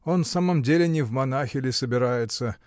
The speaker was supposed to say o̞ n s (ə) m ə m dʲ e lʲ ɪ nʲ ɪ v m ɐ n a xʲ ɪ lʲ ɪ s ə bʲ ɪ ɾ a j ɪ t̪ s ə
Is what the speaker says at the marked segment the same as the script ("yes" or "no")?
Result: no